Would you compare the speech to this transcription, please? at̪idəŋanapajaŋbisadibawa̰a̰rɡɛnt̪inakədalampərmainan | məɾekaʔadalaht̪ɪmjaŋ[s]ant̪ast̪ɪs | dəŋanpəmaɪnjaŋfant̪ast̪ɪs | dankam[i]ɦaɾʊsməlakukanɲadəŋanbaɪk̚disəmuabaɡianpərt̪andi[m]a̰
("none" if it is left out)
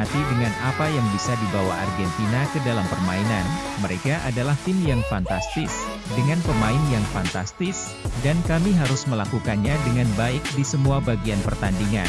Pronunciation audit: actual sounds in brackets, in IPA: f, i, ŋ

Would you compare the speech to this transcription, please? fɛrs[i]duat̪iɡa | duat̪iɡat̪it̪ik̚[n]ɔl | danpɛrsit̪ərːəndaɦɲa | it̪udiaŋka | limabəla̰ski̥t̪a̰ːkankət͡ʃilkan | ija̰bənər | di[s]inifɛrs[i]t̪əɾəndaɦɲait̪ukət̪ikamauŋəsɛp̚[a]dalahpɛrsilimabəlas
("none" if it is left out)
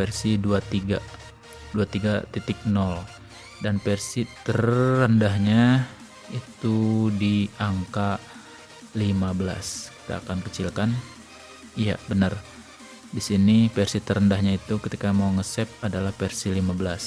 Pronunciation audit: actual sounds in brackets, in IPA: i, n, s, i, a

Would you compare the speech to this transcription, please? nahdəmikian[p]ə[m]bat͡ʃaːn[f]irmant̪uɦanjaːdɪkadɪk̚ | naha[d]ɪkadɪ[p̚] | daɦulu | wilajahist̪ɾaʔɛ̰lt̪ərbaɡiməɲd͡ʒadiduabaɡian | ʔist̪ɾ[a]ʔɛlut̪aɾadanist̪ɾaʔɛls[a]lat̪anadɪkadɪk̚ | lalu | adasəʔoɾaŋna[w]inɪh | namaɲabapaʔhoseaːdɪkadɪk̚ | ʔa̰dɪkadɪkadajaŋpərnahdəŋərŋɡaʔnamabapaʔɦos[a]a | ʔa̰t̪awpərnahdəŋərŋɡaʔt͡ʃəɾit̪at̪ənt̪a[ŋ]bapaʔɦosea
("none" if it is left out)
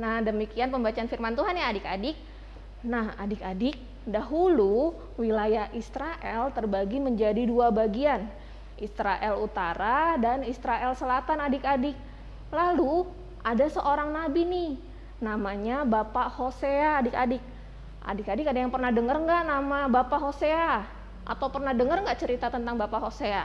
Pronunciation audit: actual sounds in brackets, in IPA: p, m, f, d, k̚, a, ə, b, e, ŋ

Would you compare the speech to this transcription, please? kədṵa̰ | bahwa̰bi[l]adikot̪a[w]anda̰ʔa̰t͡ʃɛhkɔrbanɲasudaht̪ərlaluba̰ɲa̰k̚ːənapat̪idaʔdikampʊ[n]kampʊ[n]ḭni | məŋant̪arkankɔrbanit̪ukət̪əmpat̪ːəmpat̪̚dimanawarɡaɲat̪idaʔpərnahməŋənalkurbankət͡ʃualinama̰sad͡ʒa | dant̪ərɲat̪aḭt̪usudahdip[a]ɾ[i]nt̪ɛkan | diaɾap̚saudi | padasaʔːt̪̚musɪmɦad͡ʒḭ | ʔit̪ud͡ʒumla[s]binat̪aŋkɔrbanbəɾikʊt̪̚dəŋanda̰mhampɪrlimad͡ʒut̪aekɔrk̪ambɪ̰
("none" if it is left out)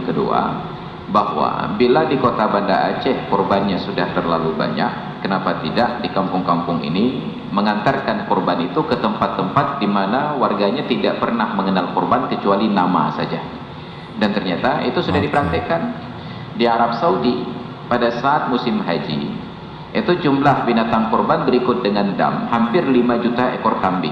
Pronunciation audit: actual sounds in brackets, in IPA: l, b, ŋ, ŋ, ə, a, h

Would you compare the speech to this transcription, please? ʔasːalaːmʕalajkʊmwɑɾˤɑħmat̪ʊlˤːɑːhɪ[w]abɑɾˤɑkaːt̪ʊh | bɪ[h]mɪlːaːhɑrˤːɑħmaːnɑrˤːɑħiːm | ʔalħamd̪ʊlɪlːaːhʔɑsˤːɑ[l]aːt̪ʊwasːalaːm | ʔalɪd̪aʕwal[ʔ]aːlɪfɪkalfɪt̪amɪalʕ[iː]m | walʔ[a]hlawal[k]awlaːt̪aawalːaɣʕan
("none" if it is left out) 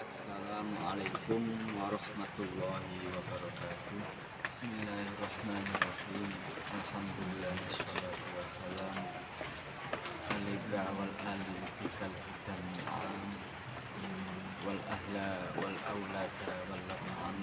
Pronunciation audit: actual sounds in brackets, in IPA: w, s, l, ʔ, aː, a, ʔ

